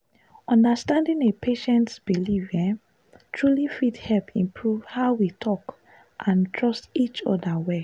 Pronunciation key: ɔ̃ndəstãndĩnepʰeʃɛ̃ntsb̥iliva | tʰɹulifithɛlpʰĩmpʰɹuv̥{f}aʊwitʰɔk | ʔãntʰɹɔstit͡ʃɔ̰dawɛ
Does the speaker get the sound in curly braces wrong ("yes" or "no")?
yes